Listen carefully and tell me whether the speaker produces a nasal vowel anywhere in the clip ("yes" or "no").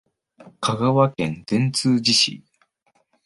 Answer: yes